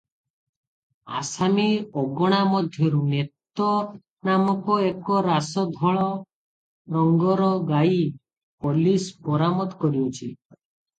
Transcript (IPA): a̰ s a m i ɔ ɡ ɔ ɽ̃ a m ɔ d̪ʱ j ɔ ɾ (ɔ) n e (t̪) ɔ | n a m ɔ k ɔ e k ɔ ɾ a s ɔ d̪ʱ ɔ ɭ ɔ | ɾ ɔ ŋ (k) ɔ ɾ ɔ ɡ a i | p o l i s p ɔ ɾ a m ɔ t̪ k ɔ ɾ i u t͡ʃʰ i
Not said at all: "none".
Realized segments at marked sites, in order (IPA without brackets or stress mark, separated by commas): u, t̪, ɡ